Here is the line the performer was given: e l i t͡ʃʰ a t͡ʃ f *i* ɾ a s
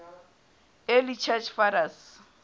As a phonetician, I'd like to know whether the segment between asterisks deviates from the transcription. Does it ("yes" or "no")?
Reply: yes